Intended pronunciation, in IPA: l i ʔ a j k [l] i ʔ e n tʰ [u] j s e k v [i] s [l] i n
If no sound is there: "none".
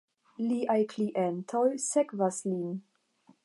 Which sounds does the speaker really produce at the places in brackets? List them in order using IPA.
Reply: l, o, a, l

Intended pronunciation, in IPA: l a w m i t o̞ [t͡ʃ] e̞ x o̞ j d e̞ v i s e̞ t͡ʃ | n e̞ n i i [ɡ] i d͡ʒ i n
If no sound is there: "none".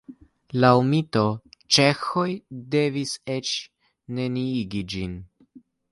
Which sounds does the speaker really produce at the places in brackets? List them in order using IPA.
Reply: t͡ʃ, ɡ

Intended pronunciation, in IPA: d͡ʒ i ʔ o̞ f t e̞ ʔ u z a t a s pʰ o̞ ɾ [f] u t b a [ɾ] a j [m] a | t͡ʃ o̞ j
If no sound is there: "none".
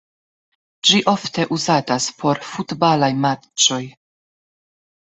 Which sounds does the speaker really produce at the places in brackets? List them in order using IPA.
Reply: f, l, m

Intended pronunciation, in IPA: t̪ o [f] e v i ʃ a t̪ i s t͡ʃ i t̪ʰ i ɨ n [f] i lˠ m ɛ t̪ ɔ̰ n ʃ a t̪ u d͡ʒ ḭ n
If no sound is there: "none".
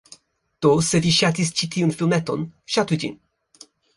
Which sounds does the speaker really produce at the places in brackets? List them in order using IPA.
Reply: s, f

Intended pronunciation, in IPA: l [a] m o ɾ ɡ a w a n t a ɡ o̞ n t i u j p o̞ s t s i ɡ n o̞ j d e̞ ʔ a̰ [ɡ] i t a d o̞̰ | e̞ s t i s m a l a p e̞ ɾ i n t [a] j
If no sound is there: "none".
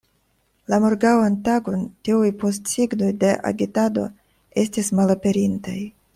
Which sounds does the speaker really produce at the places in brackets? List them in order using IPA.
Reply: a, ɡ, a

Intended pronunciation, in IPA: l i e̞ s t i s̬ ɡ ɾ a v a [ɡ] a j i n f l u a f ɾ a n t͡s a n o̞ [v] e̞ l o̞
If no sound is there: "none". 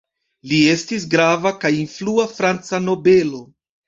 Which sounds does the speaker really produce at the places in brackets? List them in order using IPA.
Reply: k, b

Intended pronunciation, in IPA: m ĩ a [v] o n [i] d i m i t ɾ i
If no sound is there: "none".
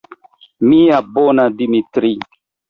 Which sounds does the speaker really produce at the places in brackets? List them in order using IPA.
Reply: b, a

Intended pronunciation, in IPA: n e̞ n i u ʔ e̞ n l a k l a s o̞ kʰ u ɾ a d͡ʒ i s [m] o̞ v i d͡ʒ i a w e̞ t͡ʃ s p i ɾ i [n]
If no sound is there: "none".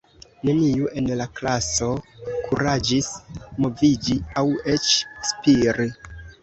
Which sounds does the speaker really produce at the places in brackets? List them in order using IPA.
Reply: m, none

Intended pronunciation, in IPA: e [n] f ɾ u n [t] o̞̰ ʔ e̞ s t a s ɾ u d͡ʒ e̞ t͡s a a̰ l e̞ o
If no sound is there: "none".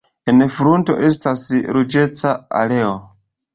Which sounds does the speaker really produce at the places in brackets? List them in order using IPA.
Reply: n, t

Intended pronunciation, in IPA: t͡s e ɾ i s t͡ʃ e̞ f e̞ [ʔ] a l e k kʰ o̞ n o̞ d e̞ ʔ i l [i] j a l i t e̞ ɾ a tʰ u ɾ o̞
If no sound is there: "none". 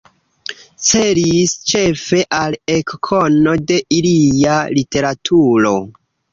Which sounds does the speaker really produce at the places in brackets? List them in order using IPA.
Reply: ʔ, i

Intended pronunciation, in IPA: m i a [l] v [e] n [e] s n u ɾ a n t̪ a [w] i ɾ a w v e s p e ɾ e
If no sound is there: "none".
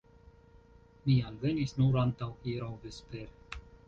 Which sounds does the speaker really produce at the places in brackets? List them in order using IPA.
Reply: l, e, i, w

